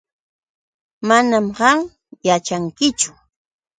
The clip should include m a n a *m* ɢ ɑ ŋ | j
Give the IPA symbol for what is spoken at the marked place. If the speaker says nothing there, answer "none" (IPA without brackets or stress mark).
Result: m